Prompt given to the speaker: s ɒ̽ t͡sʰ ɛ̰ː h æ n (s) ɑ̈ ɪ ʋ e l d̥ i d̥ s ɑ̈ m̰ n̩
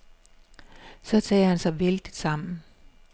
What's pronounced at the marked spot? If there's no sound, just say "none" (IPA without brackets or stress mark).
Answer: s